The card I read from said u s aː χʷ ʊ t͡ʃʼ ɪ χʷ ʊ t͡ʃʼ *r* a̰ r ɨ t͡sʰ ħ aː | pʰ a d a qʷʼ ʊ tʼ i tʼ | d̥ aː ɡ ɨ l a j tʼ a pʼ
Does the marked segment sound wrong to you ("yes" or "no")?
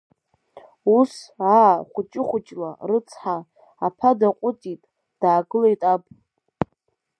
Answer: yes